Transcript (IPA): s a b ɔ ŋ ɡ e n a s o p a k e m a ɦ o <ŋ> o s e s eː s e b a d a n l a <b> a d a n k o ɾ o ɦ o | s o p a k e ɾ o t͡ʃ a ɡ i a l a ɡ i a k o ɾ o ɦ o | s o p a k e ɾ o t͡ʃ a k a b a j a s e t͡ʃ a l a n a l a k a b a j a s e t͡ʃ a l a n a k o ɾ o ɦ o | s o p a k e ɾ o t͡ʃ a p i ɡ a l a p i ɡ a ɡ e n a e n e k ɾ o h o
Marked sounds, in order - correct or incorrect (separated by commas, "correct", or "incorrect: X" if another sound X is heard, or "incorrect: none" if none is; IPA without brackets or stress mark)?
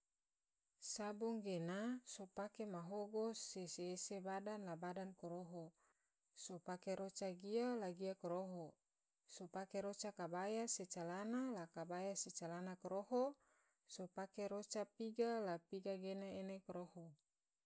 incorrect: ɡ, correct